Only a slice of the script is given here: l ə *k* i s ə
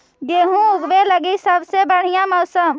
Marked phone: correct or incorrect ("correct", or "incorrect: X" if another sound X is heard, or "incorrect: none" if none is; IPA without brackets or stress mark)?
incorrect: ɡ